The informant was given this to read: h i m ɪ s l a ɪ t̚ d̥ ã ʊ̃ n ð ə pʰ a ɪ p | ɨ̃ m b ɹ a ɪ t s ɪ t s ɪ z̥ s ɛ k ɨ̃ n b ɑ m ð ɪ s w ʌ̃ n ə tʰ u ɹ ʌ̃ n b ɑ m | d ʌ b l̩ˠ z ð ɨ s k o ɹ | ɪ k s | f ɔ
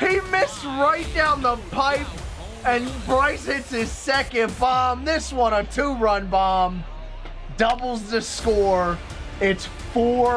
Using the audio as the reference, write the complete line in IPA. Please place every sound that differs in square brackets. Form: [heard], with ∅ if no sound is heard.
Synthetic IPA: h i m ɪ s [ɹ] a ɪ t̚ d̥ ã ʊ̃ n ð ə pʰ a ɪ p | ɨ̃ [n] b ɹ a ɪ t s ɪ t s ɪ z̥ s ɛ k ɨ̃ n b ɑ m ð ɪ s w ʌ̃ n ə tʰ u ɹ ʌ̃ n b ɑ m | d ʌ b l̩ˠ z ð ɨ s k [ɔ] ɹ | ɪ [t] s | f ɔ